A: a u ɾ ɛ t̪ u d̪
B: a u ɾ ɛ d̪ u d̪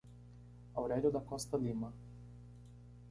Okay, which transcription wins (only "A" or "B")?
B